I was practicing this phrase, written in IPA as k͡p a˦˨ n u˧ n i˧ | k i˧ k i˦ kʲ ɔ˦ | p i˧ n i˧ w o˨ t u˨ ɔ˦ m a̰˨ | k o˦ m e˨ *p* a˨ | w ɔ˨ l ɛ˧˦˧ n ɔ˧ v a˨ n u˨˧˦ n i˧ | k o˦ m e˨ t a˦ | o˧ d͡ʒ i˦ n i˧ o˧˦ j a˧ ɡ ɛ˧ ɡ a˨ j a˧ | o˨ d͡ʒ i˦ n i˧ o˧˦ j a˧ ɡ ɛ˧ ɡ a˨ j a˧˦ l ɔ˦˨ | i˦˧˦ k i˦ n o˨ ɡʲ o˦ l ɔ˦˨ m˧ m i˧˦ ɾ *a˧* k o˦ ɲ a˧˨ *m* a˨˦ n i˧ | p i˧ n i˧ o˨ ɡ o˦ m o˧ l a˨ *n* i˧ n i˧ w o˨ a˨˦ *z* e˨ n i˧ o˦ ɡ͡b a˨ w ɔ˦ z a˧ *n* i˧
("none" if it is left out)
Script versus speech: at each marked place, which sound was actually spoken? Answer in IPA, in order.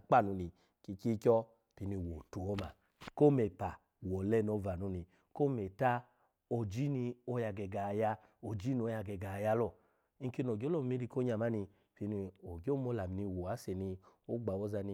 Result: p, i˧, m, m, s, n

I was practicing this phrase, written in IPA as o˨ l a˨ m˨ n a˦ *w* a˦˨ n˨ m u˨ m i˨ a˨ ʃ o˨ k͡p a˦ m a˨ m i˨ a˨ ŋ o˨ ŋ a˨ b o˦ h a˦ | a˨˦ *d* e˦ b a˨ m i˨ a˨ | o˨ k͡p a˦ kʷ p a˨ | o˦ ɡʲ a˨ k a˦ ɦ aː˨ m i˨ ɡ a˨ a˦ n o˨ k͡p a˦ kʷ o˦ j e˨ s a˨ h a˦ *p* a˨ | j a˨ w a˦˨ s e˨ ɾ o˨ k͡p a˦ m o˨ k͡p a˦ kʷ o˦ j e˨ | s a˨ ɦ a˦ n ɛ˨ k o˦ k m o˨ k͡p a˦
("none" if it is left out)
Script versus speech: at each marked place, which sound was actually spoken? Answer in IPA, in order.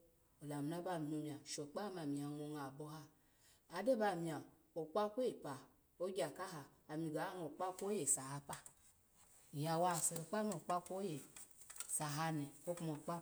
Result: b, d, p

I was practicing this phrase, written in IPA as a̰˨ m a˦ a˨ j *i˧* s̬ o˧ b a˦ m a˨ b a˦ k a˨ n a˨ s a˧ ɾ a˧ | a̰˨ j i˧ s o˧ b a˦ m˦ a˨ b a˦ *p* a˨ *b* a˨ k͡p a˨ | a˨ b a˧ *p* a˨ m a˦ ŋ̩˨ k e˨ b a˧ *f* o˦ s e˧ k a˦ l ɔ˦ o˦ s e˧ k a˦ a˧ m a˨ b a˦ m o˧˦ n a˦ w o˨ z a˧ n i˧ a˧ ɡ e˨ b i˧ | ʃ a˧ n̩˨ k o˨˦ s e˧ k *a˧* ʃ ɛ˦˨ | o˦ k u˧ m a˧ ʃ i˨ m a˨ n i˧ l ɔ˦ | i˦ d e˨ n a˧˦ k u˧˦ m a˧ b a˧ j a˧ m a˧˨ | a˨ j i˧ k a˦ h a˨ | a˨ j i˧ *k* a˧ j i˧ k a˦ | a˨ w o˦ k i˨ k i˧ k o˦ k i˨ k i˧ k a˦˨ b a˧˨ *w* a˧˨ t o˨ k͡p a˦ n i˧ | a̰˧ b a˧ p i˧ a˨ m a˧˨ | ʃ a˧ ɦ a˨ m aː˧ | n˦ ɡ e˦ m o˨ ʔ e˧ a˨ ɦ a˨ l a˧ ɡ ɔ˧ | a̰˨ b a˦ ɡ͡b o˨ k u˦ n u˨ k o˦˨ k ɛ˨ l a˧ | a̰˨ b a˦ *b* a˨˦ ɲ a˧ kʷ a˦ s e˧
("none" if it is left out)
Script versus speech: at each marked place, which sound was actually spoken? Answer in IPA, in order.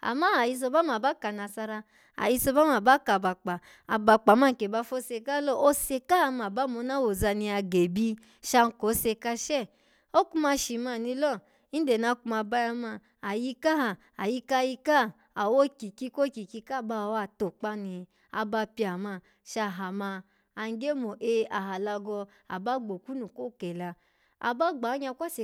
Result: i˧, k, b, k͡p, f, a˧, k, w, ɡ͡b

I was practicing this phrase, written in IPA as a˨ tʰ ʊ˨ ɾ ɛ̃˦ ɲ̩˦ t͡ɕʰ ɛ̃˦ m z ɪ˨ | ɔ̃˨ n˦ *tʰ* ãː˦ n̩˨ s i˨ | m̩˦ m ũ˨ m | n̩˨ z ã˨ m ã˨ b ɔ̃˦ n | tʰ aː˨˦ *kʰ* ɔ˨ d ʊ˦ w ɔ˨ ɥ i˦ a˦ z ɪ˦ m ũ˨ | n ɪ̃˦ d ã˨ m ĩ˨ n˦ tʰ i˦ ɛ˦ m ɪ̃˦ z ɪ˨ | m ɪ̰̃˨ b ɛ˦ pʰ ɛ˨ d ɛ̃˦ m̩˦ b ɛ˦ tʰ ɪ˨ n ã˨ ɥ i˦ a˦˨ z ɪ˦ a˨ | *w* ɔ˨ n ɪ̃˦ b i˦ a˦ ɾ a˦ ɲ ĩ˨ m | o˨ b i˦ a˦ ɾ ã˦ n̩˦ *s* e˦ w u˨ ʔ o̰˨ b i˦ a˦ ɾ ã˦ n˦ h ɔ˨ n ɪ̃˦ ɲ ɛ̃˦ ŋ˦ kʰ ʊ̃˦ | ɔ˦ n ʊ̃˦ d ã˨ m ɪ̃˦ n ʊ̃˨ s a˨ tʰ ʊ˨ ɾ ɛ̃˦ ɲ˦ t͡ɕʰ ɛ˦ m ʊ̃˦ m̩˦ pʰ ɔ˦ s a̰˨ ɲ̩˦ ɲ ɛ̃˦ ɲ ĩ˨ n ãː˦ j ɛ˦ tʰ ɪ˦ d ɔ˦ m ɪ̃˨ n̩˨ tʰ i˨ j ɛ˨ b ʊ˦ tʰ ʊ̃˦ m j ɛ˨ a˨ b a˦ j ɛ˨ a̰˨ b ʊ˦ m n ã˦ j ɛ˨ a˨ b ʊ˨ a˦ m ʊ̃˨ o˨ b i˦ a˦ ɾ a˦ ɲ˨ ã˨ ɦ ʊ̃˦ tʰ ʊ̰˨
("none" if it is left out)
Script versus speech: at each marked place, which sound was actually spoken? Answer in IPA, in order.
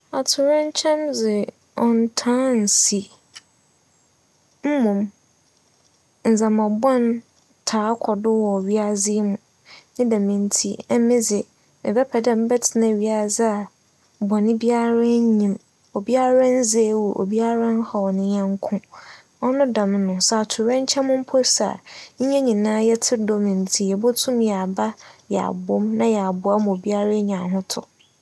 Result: tʰ, kʰ, b, z

